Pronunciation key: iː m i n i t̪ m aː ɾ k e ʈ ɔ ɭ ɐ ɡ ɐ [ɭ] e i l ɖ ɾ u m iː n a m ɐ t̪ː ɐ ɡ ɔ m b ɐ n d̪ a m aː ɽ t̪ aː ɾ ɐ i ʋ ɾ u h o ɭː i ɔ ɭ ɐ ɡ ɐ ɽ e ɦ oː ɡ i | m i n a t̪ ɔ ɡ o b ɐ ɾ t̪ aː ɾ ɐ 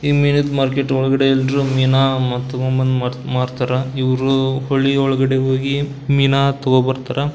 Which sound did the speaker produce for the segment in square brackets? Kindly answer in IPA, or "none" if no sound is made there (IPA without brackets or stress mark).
ɽ